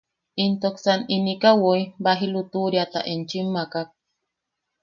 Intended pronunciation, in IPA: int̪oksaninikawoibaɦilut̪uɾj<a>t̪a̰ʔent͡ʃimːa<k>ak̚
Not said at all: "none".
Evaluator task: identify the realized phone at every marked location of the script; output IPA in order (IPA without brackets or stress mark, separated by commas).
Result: a, k